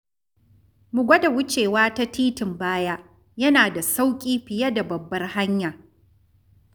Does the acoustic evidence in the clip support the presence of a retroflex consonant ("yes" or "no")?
no